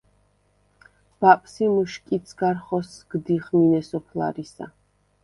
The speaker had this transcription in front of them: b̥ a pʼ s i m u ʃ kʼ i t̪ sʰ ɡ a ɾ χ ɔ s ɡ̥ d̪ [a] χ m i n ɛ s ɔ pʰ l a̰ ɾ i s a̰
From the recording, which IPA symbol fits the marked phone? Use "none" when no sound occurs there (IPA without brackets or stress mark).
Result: i